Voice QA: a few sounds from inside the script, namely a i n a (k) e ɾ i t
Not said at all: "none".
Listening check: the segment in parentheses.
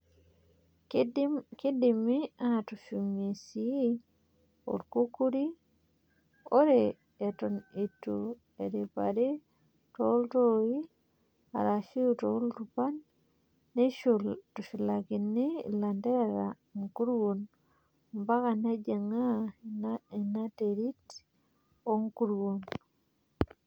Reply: t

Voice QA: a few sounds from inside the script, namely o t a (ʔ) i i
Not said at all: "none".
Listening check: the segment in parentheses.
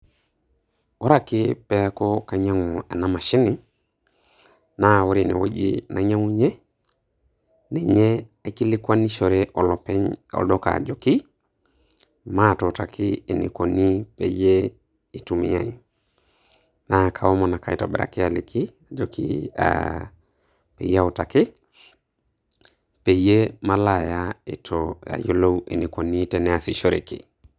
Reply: k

